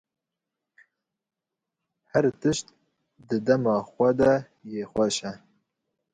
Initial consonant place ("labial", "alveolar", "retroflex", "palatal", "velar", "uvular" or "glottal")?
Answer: glottal